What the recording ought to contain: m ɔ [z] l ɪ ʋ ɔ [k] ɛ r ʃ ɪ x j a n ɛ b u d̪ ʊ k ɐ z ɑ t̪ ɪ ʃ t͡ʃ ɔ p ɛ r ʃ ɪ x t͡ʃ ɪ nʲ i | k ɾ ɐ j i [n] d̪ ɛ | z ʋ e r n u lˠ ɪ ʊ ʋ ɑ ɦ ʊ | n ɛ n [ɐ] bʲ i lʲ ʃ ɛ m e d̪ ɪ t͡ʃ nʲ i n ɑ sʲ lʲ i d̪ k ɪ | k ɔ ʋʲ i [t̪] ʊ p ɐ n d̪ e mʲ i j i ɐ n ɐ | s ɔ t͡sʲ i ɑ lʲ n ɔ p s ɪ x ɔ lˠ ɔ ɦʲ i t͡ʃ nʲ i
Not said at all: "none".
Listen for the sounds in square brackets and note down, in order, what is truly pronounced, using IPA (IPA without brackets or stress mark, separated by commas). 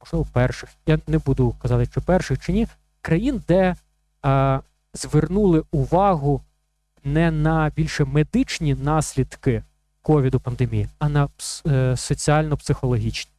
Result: ʒ, p, n, ɐ, d̪